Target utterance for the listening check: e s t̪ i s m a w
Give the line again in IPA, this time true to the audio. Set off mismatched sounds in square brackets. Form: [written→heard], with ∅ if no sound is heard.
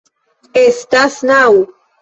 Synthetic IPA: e s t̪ [i→a] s [m→n] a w